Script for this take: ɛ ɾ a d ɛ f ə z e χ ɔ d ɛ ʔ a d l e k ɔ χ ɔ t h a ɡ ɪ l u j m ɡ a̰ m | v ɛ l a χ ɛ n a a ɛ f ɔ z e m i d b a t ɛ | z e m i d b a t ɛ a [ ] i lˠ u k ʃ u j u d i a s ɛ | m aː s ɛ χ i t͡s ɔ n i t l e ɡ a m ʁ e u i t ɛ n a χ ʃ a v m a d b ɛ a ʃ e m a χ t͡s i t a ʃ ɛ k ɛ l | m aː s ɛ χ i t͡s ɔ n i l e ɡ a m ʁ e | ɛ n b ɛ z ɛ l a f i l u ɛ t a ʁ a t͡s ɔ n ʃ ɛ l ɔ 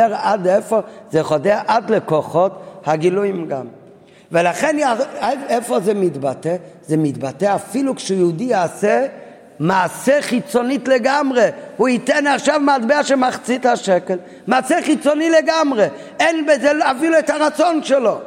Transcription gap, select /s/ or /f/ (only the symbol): f